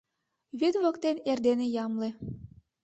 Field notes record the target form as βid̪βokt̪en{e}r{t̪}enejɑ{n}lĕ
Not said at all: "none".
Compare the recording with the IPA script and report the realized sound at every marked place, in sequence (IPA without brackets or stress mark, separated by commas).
e, d̪, m